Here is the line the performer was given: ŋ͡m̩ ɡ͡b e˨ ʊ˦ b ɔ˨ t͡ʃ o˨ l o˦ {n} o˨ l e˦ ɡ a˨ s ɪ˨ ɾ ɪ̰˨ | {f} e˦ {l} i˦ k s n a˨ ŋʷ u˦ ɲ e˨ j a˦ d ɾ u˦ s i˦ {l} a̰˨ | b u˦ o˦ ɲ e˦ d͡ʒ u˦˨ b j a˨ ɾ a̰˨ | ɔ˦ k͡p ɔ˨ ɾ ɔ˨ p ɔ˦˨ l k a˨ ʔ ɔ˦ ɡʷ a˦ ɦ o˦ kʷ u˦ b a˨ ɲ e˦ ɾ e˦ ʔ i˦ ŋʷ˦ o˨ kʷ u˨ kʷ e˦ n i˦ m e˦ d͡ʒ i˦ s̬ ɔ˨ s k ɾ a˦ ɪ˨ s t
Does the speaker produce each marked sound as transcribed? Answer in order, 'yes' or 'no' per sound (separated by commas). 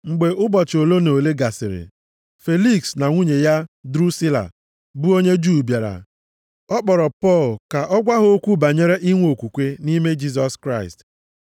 yes, yes, yes, yes